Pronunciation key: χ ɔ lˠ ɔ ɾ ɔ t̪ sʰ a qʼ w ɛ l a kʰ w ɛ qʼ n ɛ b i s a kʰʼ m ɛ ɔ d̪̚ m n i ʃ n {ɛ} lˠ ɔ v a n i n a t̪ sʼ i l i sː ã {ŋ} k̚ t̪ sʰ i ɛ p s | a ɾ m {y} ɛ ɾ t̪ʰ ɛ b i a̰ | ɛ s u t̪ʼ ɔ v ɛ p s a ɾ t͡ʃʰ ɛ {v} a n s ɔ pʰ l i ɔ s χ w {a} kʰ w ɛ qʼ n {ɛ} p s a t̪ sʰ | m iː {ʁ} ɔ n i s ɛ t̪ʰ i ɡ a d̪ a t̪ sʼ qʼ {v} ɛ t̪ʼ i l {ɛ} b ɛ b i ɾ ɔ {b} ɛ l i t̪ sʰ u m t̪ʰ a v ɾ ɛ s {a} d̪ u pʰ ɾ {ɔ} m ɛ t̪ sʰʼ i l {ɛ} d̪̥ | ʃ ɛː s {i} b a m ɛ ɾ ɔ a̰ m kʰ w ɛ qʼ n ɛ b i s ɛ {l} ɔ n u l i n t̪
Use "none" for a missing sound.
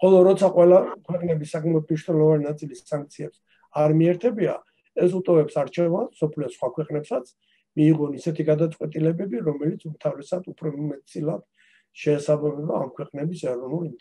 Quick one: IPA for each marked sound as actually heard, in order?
ɛ, ŋ, i, v, a, ɛ, ʁ, w, ɛ, m, a, ɔ, a, a, ɾ

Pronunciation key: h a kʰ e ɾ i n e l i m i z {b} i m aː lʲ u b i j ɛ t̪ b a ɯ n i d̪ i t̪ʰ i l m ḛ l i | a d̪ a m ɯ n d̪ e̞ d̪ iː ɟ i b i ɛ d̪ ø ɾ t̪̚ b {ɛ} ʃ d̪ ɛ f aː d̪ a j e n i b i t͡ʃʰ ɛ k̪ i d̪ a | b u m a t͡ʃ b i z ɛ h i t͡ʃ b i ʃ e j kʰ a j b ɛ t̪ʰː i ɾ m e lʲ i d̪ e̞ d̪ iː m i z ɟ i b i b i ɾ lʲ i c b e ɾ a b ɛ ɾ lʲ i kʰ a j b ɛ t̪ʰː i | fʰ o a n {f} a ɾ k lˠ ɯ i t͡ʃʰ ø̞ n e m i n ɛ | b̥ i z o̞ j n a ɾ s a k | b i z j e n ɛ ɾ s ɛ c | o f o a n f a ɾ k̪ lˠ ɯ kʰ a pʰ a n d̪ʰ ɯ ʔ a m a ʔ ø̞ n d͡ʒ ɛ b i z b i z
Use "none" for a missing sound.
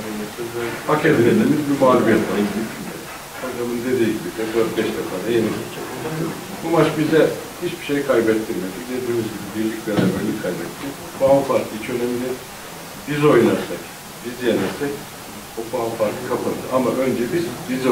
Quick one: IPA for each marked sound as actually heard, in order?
b, ɛ, f

